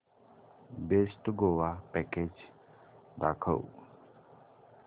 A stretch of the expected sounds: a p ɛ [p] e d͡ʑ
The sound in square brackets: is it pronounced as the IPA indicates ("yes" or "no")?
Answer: no